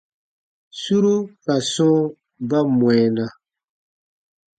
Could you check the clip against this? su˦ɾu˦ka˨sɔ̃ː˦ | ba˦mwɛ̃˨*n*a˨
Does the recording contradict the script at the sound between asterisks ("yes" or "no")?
no